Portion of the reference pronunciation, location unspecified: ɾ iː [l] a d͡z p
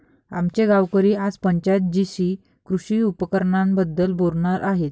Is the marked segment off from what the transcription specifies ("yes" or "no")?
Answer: yes